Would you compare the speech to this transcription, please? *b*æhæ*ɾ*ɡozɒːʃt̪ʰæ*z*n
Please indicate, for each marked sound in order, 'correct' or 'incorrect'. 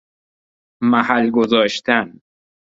incorrect, incorrect, incorrect

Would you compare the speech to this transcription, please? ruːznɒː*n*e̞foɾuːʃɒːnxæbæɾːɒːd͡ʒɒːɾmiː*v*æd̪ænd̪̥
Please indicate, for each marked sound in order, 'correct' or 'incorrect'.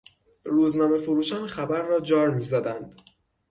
incorrect, incorrect

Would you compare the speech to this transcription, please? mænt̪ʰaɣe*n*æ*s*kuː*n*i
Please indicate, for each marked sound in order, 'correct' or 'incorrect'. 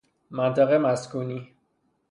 incorrect, correct, correct

